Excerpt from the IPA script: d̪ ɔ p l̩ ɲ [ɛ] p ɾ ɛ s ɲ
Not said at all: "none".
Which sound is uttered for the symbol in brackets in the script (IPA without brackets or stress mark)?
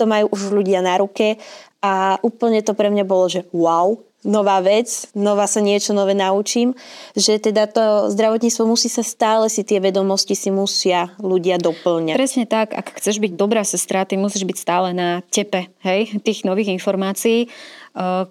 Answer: a